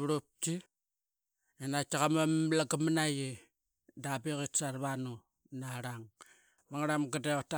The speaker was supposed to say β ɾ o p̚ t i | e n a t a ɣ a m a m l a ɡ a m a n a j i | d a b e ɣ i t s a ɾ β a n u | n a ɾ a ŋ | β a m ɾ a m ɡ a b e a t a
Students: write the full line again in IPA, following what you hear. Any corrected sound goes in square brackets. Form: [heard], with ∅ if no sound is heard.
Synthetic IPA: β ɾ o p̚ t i | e n a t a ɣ a m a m l a ɡ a m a n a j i | d a b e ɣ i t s a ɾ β a n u | n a ɾ a ŋ | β a [ŋ] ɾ a m ɡ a [d] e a t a